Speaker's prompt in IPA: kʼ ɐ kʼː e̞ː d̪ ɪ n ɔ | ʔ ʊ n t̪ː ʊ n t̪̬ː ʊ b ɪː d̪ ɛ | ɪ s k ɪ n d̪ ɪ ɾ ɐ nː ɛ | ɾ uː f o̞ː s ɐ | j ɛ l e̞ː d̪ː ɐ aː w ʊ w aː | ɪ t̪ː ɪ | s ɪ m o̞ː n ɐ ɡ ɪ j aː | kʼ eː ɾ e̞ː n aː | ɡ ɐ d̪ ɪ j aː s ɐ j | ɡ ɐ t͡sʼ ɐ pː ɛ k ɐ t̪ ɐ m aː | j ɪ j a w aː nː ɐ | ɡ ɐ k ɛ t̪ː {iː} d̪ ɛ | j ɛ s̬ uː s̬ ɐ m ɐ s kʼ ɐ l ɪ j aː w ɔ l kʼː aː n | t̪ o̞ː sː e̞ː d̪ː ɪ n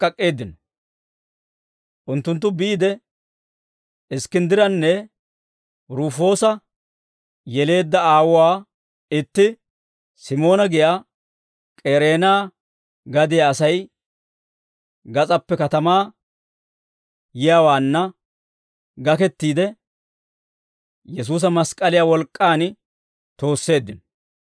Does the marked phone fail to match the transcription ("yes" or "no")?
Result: no